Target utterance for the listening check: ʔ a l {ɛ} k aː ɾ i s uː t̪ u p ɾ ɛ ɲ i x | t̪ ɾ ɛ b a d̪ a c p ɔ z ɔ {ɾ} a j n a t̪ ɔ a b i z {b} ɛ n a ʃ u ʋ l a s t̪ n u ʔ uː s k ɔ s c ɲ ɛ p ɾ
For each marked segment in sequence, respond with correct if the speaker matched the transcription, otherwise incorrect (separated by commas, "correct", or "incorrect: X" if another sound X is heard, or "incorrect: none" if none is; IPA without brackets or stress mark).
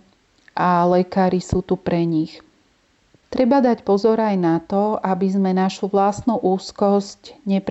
correct, correct, incorrect: m